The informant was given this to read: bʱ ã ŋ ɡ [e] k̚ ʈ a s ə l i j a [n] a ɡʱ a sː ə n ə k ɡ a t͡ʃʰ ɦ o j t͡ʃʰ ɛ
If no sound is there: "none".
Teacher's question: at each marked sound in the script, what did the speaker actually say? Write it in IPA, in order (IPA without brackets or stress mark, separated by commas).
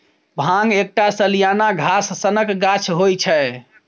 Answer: e, n